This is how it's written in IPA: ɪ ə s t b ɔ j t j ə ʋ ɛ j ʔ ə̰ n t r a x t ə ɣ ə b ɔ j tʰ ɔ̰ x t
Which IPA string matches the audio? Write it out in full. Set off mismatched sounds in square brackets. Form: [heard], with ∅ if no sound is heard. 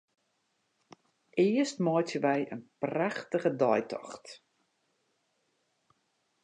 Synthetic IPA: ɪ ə s t [m] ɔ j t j ə ʋ ɛ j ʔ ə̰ n [p] r a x t ə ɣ ə [d] ɔ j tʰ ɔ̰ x t

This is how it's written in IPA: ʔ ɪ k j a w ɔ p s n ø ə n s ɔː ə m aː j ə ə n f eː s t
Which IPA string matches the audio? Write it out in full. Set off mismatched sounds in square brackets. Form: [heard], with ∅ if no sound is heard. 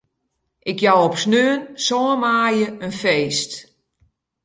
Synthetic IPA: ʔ ɪ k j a w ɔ p s n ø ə n s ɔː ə m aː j ə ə n f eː s t

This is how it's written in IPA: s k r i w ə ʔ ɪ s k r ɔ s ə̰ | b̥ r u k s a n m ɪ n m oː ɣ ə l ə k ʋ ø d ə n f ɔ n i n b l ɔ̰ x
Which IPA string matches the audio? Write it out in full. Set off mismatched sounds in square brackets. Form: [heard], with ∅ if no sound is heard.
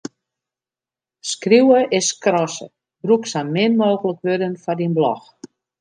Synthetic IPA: s k r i w ə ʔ ɪ s k r ɔ s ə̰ | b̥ r u k s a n m ɪ n m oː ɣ ə l ə k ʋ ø d ə n f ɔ [d] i n b l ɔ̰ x

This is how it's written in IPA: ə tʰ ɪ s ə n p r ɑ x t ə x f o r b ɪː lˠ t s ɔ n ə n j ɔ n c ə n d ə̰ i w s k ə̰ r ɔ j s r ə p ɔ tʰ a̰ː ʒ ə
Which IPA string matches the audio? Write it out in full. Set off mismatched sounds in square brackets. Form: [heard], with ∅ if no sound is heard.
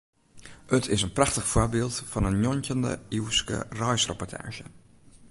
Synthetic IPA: ə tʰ ɪ s ə n p r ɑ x t ə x f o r b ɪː lˠ t [f] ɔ n ə n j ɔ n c ə n d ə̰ i w s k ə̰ r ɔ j s r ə p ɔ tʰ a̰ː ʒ ə

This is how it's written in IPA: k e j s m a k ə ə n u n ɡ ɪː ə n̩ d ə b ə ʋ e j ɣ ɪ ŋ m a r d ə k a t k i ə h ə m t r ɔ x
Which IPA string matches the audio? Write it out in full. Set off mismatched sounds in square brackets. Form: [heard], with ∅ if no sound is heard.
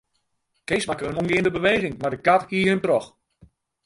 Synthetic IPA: k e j s m a k ə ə n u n ɡ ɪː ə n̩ d ə b ə ʋ e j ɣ ɪ ŋ m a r d ə k a t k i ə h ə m t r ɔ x

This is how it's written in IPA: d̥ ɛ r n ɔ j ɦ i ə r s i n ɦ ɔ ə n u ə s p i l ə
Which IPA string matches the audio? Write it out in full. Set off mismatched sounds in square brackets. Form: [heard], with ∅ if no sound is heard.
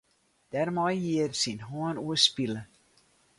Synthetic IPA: d̥ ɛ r [m] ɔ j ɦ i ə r s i n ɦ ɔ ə n u ə s p i l ə

